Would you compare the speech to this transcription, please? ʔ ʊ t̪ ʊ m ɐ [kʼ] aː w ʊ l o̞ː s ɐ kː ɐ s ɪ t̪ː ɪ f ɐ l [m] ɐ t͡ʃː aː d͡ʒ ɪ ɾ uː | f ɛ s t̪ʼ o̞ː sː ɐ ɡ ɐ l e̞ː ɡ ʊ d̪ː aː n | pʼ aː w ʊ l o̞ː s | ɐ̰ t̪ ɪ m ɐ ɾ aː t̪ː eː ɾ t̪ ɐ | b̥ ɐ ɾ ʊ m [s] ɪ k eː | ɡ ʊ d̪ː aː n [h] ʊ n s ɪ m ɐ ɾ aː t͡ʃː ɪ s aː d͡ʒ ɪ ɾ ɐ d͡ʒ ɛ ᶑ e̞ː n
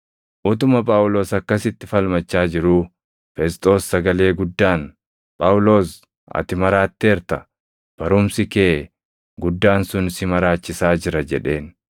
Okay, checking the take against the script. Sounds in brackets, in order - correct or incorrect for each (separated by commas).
incorrect, correct, correct, incorrect